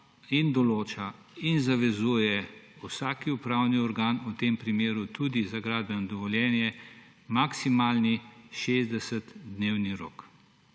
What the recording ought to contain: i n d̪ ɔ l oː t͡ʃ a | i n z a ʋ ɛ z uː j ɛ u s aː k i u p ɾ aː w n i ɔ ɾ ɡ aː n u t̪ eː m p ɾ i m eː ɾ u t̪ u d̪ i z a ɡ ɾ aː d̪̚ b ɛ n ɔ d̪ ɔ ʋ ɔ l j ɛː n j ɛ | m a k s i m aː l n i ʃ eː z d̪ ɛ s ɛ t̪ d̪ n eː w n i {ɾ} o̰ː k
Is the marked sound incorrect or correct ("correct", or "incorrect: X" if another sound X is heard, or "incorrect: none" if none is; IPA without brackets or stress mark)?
correct